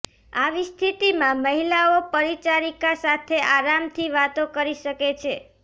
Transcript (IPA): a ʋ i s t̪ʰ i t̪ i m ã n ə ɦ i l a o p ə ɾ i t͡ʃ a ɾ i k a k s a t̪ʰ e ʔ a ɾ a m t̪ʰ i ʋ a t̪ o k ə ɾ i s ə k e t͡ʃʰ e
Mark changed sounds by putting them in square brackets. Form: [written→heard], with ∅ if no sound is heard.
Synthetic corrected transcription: a ʋ i s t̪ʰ i t̪ i m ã [n→m] ə ɦ i l a o p ə ɾ i t͡ʃ a ɾ i k a [k→∅] s a t̪ʰ e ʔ a ɾ a m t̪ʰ i ʋ a t̪ o k ə ɾ i [s→ʃ] ə k e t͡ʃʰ e